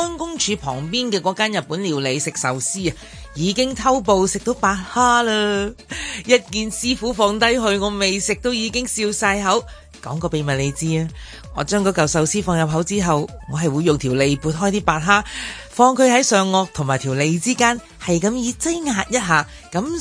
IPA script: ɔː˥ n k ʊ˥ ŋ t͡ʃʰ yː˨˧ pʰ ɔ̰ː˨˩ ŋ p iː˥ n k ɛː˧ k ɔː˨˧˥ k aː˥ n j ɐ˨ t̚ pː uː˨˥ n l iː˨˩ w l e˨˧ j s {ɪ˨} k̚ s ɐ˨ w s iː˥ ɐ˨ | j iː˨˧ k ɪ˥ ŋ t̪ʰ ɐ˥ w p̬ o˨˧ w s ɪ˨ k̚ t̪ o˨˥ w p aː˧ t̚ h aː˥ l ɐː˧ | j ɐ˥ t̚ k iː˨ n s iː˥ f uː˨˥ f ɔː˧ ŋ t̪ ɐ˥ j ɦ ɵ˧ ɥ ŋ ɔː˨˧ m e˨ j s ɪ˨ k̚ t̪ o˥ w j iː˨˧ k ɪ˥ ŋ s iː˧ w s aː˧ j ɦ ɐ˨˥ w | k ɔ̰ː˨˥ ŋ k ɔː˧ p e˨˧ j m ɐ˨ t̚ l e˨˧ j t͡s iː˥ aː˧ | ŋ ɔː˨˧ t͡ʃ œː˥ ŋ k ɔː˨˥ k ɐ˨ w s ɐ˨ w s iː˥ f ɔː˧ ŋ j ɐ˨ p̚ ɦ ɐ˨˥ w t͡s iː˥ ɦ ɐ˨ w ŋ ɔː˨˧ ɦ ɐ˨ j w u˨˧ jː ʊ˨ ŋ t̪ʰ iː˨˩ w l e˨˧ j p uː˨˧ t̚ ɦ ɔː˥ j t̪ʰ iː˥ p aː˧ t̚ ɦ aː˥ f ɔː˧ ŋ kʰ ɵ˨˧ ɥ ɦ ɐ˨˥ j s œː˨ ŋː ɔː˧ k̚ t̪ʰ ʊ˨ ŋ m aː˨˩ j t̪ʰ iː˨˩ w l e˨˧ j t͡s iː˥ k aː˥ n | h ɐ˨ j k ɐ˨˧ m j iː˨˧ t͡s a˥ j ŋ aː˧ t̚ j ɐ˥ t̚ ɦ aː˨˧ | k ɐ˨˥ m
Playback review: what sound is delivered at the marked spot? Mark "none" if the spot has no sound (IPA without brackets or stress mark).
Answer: ɪ˨